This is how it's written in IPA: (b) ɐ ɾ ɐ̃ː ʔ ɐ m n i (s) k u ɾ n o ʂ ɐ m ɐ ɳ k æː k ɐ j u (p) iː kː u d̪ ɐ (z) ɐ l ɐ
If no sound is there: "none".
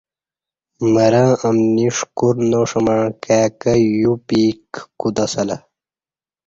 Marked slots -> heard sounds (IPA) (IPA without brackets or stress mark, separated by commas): m, ʂ, p, s